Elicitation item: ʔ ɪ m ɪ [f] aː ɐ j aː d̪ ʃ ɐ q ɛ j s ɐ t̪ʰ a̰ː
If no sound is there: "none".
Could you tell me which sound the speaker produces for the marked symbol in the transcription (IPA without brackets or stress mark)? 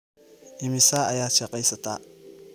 s